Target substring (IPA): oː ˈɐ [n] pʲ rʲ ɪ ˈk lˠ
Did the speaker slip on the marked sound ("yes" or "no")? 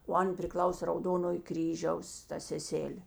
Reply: no